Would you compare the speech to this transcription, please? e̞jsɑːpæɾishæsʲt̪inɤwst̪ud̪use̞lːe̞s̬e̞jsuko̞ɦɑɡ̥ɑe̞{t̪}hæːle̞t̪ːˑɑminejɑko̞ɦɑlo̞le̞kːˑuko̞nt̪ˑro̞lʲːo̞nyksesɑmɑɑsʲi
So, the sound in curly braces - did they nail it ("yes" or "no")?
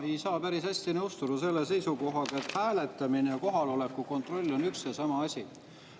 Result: yes